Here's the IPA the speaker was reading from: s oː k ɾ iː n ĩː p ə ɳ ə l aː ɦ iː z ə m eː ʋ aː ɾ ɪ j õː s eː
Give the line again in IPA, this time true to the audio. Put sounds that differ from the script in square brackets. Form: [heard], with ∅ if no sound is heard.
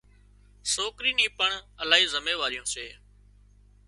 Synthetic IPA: s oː k ɾ iː n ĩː p ə ɳ ə l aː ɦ iː z ə m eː ʋ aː ɾ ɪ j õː s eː